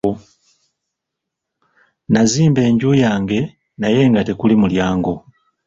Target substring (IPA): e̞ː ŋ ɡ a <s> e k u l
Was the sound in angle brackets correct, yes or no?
no